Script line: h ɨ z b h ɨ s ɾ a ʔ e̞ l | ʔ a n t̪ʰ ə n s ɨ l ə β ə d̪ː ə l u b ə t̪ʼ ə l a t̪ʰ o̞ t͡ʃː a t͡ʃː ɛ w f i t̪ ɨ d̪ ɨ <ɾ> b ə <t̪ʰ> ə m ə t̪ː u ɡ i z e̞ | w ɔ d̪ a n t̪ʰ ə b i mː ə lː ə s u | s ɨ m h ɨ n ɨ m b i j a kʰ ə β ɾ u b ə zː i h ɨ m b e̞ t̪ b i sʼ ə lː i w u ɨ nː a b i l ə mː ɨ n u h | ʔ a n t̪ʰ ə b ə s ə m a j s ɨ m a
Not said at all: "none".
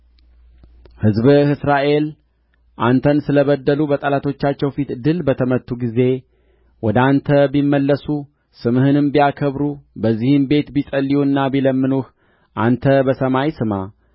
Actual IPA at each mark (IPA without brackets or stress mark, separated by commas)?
l, t̪ʰ